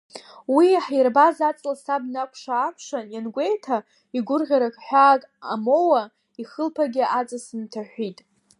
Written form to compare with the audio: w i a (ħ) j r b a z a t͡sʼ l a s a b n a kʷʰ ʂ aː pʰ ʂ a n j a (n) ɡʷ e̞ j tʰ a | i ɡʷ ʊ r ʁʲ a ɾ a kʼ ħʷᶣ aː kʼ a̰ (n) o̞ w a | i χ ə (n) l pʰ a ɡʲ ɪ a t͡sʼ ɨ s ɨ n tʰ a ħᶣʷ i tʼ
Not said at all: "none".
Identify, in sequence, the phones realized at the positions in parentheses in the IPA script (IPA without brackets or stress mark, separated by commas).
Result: ħ, n, m, none